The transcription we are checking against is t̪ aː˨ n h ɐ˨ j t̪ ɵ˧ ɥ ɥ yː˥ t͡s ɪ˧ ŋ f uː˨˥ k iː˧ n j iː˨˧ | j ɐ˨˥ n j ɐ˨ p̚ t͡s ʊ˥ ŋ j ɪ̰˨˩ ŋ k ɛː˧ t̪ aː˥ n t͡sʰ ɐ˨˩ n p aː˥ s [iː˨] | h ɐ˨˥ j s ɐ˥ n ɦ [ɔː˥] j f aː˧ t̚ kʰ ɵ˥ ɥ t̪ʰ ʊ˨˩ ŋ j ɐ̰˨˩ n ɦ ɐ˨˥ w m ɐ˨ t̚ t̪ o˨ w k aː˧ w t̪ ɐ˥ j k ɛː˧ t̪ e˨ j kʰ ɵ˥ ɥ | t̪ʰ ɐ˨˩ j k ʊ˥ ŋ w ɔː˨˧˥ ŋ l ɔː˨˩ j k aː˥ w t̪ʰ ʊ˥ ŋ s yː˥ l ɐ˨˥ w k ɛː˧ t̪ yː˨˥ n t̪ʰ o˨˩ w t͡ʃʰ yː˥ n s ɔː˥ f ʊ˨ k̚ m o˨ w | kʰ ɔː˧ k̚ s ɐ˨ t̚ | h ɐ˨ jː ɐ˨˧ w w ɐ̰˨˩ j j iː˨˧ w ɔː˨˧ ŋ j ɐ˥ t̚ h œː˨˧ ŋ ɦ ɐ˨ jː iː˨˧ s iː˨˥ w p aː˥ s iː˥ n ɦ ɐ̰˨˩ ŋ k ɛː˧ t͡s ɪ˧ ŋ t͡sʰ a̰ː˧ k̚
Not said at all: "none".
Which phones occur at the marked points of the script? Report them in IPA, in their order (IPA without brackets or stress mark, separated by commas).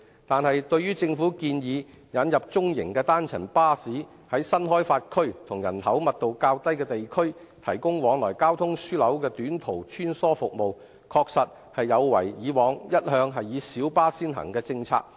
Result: iː˨˥, ɔː˥